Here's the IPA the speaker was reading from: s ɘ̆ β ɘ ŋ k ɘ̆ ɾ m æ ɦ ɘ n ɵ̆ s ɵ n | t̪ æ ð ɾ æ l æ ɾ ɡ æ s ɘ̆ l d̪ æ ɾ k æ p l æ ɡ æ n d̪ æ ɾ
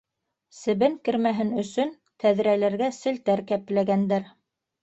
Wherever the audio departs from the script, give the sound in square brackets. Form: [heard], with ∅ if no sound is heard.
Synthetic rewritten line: s ɘ̆ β ɘ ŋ k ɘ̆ ɾ m æ ɦ ɘ n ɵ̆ s ɵ n | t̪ æ ð ɾ æ l æ ɾ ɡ æ s ɘ̆ l [t̪] æ ɾ k æ p l æ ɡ æ n d̪ æ ɾ